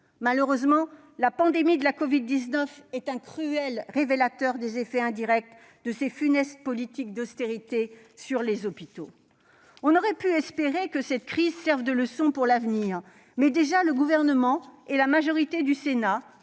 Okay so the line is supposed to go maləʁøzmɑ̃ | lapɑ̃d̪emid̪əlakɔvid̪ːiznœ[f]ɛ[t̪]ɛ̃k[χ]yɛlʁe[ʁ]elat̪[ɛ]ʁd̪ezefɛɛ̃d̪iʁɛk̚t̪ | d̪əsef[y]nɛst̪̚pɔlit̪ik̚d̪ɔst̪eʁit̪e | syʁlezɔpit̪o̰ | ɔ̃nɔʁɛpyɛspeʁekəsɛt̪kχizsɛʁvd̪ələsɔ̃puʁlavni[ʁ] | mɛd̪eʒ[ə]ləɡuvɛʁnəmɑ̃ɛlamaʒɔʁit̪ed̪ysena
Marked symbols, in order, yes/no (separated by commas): yes, yes, yes, no, no, yes, yes, no